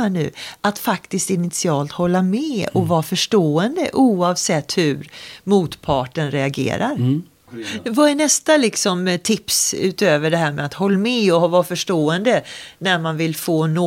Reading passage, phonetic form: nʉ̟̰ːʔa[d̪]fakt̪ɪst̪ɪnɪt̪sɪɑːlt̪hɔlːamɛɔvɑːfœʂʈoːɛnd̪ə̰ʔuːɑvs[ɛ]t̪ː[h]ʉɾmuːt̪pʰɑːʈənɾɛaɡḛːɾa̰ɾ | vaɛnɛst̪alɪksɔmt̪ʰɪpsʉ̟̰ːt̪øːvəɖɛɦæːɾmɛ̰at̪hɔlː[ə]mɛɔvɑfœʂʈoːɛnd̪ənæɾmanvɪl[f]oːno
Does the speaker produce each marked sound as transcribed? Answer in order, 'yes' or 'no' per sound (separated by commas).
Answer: no, yes, yes, no, yes